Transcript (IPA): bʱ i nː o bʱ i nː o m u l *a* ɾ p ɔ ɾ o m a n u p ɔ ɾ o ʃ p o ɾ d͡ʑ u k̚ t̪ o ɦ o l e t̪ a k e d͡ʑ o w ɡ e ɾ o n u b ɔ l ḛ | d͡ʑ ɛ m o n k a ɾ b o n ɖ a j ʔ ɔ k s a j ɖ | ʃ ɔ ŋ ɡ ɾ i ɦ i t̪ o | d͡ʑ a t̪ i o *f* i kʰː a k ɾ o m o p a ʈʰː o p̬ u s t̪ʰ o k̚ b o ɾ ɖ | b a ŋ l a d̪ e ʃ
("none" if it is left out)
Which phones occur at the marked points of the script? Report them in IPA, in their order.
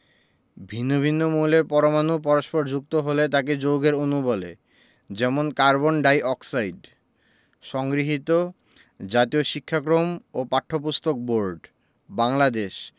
e, ʃ

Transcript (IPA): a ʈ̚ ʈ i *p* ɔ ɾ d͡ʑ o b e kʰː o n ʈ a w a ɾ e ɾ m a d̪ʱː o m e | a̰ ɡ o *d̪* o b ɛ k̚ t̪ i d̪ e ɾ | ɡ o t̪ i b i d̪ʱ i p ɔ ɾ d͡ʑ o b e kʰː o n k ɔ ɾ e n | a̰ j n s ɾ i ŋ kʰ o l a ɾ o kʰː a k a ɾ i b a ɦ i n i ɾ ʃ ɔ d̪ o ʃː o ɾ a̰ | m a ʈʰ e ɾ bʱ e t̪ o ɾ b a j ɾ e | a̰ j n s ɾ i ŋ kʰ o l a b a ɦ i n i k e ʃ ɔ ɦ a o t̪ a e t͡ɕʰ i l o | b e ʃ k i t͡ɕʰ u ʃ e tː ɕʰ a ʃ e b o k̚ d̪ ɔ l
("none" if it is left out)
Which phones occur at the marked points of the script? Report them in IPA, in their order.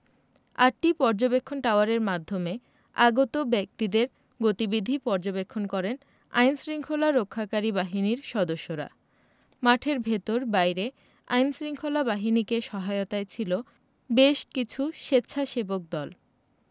p, t̪

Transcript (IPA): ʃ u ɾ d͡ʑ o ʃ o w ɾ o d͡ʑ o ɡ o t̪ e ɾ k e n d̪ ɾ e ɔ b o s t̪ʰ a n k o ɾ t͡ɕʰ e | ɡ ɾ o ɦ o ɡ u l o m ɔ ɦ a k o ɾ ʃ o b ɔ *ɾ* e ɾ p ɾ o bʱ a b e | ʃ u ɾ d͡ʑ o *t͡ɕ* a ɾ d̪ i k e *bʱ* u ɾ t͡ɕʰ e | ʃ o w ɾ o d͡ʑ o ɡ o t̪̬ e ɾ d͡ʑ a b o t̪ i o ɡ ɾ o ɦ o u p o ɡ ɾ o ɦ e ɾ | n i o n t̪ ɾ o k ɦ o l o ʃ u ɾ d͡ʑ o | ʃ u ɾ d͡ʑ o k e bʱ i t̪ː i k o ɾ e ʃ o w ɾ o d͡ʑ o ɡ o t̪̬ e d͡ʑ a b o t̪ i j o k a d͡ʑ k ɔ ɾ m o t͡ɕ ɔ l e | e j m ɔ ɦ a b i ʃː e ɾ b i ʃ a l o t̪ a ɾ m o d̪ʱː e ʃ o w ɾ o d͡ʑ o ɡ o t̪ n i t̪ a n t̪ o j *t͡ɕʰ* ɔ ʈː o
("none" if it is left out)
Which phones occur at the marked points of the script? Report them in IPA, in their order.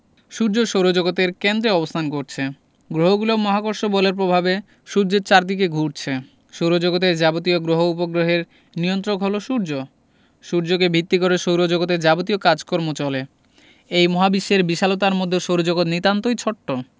l, t͡ɕ, ɡʱ, t͡ɕʰ

